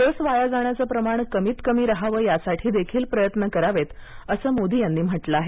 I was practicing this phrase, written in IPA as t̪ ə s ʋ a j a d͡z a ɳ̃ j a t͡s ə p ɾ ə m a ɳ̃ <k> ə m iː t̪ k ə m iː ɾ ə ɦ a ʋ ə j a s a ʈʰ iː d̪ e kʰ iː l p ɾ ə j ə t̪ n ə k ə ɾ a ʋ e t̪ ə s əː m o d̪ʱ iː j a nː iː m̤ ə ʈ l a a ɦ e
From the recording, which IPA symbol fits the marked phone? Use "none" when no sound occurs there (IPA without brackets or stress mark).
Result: k